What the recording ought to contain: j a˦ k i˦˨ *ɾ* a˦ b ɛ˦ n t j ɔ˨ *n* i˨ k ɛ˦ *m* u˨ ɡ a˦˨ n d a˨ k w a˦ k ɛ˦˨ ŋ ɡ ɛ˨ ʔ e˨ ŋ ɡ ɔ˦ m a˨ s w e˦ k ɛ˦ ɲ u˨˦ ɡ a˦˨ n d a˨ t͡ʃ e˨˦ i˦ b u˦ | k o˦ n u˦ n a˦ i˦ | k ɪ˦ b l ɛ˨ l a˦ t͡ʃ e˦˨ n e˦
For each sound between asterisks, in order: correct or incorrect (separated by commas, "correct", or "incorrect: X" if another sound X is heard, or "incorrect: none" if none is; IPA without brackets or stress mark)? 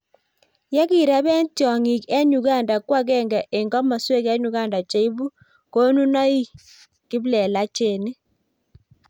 correct, incorrect: ŋ, incorrect: ɲ